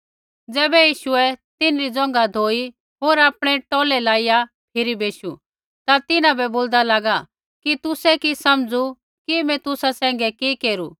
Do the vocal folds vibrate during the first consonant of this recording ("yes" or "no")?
yes